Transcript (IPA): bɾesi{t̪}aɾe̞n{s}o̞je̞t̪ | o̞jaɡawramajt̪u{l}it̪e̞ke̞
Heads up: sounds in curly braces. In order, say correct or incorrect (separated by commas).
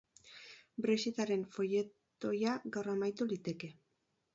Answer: correct, incorrect, correct